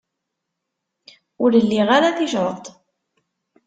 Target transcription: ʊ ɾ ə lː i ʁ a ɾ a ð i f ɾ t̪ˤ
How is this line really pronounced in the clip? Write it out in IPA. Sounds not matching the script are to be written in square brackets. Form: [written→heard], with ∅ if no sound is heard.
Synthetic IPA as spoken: ʊ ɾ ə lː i ʁ a ɾ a [ð→θ] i [f→ʃ] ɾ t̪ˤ